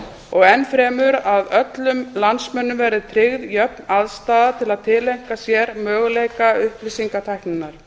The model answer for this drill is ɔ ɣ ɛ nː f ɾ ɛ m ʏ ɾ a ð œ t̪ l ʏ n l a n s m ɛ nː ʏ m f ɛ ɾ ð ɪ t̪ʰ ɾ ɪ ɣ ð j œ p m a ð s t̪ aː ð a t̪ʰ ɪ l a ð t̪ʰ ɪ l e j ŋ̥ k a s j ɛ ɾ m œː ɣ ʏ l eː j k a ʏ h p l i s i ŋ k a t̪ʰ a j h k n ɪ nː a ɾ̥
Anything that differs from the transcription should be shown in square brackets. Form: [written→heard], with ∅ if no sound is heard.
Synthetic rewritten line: ɔ ɣ ɛ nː f ɾ [ɛ→ɛː] m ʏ ɾ a ð œ t̪ l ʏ [n→m] l a n s m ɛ nː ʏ m [f→v] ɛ ɾ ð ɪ t̪ʰ ɾ ɪ ɣ ð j œ p [m→n] a ð s t̪ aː ð a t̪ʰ ɪ l a ð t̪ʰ ɪ l e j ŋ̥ k a s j ɛ ɾ m œː ɣ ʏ l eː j k a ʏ h p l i s i ŋ k a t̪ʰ a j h k n ɪ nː a ɾ̥